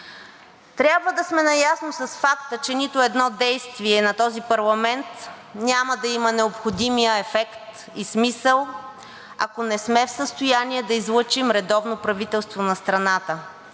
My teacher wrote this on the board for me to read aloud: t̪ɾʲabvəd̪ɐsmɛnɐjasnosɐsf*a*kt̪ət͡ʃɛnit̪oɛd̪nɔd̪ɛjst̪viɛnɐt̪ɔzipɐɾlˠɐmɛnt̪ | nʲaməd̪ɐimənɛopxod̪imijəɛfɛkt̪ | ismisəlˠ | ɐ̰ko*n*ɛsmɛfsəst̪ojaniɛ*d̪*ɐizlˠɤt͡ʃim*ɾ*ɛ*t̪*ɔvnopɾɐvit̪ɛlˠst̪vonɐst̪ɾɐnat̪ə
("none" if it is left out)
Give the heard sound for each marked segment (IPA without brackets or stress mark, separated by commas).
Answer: a, n, d̪, ɾ, d̪